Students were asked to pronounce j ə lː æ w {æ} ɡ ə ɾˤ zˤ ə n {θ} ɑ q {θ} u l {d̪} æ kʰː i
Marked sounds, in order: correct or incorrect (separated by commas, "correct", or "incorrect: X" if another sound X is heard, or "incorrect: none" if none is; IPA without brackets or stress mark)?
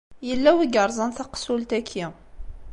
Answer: incorrect: i, correct, incorrect: s, incorrect: t̪